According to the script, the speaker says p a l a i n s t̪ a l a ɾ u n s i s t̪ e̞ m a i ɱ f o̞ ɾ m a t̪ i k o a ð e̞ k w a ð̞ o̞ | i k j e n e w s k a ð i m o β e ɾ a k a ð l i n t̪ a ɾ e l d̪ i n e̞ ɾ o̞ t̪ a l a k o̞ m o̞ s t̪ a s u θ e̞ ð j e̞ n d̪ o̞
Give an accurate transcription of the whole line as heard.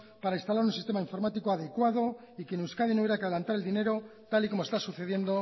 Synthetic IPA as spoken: p a ɾ a i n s t̪ a l a ɾ u n s i s t̪ e̞ m a i ɱ f o̞ ɾ m a t̪ i k o a ð e̞ k w a ð̞ o̞ | i k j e n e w s k a ð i n o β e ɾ a k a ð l a n t̪ a ɾ e l d̪ i n e̞ ɾ o̞ t̪ a l i k o̞ m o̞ s t̪ a s u θ e̞ ð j e̞ n d̪ o̞